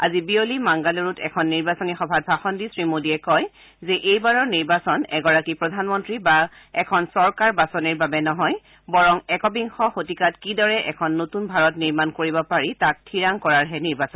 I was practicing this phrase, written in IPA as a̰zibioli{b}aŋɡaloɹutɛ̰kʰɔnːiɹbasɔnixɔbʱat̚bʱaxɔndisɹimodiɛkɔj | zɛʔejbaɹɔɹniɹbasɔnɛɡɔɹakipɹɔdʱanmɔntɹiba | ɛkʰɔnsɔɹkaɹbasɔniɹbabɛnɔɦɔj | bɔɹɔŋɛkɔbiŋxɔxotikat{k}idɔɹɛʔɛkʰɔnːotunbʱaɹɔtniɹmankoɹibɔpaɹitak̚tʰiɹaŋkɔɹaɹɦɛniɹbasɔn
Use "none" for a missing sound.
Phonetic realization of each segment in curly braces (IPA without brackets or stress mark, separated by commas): m, k